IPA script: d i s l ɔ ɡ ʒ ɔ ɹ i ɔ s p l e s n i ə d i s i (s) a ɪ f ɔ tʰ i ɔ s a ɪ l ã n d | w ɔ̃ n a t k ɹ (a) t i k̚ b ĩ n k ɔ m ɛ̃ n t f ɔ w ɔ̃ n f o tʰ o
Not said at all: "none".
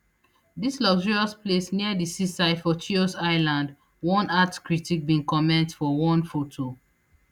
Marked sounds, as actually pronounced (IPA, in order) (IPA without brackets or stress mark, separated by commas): s, i